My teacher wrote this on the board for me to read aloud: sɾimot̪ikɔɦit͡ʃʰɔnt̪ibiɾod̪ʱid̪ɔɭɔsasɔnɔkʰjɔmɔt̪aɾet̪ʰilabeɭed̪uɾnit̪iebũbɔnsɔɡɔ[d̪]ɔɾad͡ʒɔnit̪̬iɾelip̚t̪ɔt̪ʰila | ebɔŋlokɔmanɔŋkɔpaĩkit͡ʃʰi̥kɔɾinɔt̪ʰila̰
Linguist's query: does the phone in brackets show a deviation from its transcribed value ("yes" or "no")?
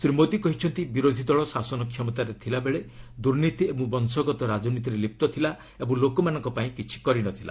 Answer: yes